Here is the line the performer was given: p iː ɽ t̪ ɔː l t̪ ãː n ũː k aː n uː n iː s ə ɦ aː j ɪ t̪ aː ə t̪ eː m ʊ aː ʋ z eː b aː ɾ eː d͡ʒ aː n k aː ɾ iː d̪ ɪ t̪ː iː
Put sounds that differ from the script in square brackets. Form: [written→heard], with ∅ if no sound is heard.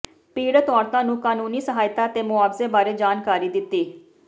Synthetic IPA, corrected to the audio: p iː ɽ t̪ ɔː [l→ɾ] t̪ ãː n ũː k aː n uː n iː s ə ɦ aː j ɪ t̪ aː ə t̪ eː m ʊ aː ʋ z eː b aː ɾ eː d͡ʒ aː n k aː ɾ iː d̪ ɪ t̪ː iː